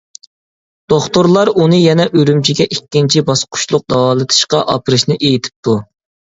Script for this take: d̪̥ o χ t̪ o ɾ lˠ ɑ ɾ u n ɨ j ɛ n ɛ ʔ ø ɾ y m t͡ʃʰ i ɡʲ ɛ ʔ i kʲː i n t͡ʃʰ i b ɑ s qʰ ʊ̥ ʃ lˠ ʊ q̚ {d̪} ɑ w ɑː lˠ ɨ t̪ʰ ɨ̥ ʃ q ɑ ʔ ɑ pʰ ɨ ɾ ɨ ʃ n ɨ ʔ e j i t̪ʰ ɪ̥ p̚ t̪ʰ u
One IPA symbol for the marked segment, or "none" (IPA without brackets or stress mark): d̪